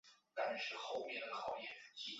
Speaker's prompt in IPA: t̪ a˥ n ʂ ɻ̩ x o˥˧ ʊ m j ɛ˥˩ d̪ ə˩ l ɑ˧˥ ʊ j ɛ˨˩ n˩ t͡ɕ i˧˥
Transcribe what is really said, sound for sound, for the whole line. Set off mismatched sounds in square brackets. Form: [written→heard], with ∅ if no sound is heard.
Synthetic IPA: t̪ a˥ n ʂ ɻ̩ x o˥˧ ʊ m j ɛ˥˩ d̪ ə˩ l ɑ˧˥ ʊ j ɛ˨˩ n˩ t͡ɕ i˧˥